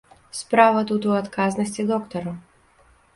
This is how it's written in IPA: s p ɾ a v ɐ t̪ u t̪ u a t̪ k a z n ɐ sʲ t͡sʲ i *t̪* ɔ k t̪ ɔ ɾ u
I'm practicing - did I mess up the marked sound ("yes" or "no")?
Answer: yes